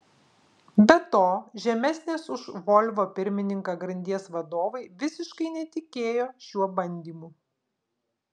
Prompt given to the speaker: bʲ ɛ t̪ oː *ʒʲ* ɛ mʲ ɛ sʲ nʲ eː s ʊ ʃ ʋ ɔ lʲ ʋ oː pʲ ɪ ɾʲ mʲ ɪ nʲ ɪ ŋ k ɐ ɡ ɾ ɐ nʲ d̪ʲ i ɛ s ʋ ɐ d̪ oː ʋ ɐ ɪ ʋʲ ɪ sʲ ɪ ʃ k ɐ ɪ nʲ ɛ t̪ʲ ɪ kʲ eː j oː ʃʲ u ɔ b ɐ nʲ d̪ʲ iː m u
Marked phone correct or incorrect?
correct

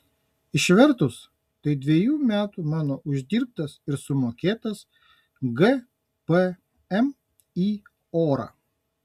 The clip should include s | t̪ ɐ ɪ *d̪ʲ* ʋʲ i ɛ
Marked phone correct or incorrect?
correct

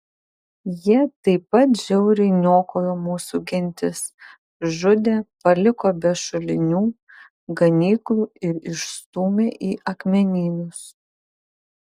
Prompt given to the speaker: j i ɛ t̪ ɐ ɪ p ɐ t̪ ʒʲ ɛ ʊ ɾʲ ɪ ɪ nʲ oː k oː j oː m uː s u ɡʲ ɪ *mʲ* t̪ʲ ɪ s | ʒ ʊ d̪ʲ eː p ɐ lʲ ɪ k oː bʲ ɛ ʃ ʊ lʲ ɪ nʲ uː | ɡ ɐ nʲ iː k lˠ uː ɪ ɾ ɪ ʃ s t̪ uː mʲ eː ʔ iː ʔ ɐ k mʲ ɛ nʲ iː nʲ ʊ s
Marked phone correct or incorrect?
incorrect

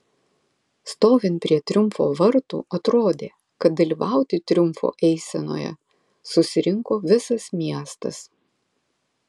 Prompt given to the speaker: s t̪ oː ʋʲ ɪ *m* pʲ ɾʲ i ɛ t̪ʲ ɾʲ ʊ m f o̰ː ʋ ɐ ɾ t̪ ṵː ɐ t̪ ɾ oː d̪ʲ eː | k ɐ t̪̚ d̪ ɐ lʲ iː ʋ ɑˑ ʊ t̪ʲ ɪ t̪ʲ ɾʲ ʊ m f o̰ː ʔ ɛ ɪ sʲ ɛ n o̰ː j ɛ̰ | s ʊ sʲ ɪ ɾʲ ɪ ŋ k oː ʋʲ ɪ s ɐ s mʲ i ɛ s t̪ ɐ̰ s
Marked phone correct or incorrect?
incorrect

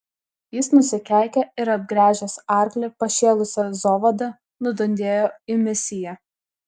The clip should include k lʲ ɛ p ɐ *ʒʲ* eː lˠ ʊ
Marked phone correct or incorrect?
incorrect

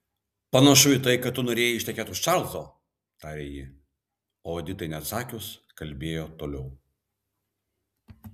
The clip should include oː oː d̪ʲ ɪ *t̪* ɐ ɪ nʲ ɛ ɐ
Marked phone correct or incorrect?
correct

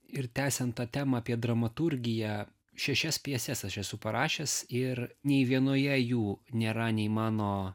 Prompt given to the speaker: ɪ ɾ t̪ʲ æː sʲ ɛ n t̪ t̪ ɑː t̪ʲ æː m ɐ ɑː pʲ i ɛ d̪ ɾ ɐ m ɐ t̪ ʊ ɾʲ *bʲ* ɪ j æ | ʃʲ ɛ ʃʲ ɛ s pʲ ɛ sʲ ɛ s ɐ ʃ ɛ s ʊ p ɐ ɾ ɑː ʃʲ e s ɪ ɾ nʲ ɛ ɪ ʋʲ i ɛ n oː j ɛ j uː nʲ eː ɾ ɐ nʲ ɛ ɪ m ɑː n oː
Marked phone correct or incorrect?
incorrect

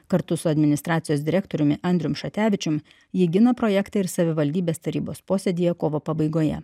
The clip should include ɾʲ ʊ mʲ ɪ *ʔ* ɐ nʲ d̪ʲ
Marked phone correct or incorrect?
correct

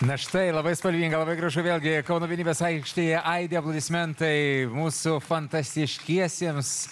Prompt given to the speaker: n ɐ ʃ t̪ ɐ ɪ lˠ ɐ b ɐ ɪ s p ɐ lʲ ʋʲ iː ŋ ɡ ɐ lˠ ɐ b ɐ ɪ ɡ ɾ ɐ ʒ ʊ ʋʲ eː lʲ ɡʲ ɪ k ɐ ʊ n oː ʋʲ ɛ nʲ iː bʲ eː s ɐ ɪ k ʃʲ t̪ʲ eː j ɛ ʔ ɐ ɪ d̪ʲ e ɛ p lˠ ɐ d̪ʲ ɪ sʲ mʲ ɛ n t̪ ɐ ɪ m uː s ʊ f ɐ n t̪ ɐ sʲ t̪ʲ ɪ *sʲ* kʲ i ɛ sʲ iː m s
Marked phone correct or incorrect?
incorrect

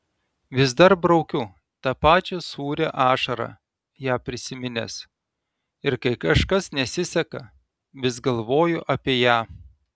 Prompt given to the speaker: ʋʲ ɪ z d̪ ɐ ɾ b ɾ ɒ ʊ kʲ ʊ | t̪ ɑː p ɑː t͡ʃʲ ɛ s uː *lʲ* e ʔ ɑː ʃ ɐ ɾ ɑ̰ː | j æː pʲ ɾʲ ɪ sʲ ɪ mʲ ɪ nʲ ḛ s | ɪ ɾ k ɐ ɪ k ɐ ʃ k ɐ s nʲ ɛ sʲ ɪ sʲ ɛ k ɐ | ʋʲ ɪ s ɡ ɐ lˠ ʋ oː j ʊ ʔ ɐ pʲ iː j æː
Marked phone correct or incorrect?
incorrect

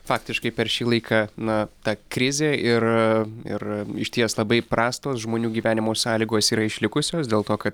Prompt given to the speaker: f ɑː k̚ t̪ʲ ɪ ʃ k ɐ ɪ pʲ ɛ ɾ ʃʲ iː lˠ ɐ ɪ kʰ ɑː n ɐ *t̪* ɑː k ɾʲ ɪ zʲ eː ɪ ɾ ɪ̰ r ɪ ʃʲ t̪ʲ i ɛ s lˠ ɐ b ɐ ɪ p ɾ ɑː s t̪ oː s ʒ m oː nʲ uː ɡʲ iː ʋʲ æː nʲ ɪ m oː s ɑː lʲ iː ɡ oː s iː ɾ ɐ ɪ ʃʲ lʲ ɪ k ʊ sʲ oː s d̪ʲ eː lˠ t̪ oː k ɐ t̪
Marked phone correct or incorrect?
correct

